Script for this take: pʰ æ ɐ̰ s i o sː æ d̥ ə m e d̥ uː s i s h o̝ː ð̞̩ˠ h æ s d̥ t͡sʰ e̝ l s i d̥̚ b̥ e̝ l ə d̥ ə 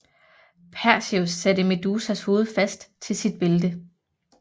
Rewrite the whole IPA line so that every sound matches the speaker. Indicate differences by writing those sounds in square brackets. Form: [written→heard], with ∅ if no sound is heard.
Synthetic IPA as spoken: pʰ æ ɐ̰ s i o sː æ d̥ ə m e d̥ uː s [i→æ] s h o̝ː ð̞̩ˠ [h→f] æ s d̥ t͡sʰ e̝ l s i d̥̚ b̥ e̝ l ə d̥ ə